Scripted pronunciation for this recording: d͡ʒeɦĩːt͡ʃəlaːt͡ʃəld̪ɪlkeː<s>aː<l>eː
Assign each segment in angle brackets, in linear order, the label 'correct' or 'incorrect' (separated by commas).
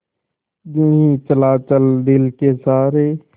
correct, incorrect